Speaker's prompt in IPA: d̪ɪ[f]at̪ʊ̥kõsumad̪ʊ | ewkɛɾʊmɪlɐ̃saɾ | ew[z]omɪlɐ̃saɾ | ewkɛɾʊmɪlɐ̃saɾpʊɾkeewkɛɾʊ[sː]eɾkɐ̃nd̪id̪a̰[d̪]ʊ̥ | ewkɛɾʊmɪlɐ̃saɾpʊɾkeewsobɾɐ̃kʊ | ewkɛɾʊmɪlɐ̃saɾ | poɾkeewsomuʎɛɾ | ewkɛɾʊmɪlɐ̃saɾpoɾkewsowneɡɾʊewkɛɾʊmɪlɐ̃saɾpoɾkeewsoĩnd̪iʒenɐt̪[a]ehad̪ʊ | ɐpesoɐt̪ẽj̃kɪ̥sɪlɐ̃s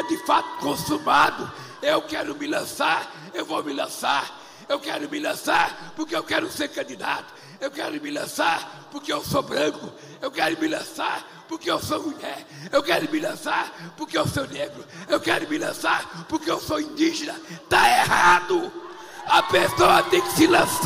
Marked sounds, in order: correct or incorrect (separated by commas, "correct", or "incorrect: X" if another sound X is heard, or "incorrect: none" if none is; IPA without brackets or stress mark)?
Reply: correct, incorrect: v, incorrect: s, incorrect: t̪, correct